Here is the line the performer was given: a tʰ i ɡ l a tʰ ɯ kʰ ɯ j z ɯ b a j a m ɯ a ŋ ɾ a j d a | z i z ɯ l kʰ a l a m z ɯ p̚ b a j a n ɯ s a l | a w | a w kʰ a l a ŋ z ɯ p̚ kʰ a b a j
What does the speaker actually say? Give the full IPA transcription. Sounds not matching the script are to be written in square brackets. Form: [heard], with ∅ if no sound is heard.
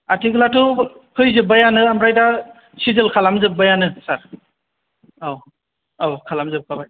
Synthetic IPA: a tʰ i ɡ l a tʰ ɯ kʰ ɯ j z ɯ b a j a [n] ɯ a [m] ɾ a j d a | [s] i z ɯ l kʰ a l a m z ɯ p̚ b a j a n ɯ s a [ɾ] | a w | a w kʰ a l a [m] z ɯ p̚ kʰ a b a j